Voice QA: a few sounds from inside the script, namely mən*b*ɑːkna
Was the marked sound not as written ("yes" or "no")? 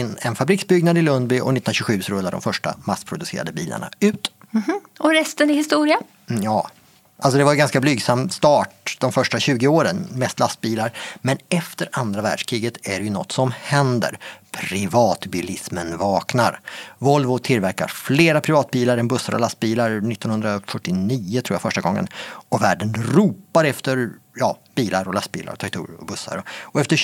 yes